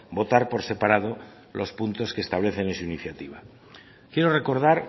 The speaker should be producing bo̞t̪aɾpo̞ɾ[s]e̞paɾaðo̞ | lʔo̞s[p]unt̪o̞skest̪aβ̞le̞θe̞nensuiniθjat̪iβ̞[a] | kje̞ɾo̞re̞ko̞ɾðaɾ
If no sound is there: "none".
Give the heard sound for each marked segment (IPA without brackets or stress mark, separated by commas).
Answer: s, p, a